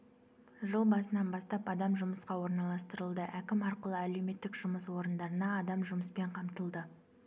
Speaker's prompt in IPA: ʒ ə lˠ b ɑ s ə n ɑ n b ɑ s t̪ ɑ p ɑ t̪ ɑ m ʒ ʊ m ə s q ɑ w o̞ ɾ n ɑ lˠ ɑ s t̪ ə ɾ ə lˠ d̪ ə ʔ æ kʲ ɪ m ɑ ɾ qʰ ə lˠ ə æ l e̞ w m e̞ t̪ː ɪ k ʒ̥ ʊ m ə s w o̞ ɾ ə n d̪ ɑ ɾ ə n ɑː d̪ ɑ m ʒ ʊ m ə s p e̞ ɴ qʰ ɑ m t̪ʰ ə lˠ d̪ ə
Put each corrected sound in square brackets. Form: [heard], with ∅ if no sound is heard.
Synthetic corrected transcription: ʒ ə lˠ b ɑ s ə n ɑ n b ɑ s t̪ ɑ p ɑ [d̪] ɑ m ʒ ʊ m ə s q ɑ w o̞ ɾ n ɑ lˠ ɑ s t̪ ə ɾ ə lˠ d̪ ə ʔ æ kʲ ɪ m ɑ ɾ [q] ə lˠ ə æ l e̞ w m e̞ t̪ː ɪ k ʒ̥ ʊ m ə s w o̞ ɾ ə n d̪ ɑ ɾ ə n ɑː d̪ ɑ m ʒ ʊ m ə s p e̞ ɴ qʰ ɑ m [t̪] ə lˠ d̪ ə